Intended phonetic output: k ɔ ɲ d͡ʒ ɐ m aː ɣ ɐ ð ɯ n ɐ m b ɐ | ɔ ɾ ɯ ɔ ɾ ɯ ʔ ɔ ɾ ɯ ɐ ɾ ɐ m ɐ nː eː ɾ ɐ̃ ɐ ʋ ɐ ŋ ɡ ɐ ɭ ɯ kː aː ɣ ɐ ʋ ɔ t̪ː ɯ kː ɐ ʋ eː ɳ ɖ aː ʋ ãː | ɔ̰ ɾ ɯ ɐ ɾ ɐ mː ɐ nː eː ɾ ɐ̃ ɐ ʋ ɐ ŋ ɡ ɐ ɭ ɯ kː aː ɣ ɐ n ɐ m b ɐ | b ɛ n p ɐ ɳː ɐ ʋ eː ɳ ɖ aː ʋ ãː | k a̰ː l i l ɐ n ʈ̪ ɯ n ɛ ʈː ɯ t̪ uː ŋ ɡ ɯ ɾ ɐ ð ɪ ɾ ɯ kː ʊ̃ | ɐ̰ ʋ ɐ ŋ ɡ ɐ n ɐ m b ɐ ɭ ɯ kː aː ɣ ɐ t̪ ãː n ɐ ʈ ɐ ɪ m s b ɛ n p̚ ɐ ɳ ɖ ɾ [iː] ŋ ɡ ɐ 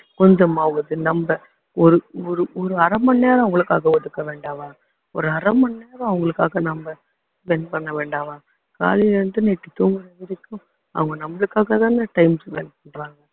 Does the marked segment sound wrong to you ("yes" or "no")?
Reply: yes